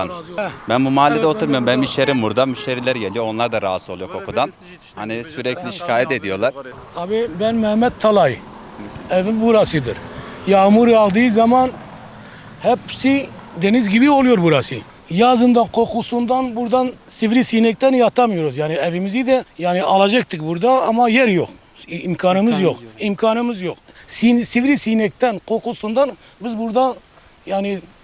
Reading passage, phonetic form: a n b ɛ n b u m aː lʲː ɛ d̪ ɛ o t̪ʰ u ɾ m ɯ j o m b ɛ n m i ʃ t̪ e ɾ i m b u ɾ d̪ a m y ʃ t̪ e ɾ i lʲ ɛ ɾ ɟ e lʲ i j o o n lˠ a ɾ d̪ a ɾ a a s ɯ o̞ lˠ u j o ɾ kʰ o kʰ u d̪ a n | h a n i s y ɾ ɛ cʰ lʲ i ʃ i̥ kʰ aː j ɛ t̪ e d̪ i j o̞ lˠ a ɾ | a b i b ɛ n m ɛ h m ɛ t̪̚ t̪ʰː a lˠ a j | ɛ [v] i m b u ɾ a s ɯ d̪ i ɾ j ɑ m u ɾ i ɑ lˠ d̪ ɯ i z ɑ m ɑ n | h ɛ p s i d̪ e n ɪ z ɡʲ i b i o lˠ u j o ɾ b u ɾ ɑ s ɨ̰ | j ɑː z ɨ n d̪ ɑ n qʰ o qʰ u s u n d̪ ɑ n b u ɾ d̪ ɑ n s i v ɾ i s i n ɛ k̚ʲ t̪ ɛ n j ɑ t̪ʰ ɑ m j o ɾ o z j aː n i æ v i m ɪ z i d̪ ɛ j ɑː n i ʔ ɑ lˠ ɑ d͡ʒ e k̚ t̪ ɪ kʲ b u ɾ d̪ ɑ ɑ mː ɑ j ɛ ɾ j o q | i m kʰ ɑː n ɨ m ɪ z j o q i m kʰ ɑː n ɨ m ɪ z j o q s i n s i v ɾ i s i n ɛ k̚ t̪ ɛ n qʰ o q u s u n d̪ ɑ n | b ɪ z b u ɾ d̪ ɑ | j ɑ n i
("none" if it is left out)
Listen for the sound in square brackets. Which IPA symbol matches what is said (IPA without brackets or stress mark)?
v